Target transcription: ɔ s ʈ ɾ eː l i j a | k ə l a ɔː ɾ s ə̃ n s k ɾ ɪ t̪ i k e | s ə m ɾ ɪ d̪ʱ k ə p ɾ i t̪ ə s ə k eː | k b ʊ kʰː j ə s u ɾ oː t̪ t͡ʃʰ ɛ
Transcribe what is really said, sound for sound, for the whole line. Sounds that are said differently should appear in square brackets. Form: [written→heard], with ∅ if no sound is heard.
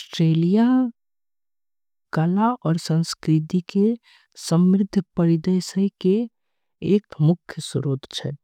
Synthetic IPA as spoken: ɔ s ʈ ɾ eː l i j a | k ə l a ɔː ɾ s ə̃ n s k ɾ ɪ t̪ i k e | s ə m ɾ ɪ d̪ʱ [k→p] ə [p→∅] ɾ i [t̪→d̪] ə s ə k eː | k [b→m] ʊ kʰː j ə s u ɾ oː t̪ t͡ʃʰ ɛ